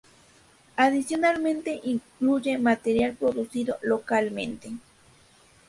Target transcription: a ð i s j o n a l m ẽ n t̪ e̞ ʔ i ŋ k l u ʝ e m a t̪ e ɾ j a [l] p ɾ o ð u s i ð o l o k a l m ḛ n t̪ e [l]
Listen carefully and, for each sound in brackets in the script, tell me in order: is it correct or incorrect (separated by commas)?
correct, incorrect